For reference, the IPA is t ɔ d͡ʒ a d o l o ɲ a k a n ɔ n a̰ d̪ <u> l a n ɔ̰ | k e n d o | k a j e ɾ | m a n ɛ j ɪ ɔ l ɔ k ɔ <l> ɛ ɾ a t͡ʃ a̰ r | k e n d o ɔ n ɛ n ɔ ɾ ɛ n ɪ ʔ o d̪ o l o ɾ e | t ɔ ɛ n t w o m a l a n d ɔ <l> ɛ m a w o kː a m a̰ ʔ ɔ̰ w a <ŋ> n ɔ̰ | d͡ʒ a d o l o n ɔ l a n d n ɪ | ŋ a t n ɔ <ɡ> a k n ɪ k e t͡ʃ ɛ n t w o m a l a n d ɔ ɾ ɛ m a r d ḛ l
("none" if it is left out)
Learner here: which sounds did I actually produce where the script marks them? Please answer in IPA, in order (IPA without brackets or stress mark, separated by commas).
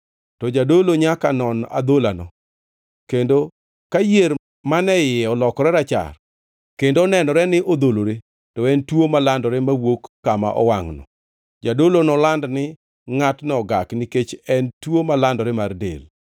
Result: o, ɾ, ɾ, ŋ, ɡ